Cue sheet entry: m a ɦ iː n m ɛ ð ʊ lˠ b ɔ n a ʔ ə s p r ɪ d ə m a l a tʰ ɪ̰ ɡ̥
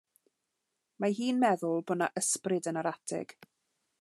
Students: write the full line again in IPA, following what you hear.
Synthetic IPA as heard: m a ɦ iː n m ɛ ð ʊ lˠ b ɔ n a ʔ ə s p r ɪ d ə n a ɾ a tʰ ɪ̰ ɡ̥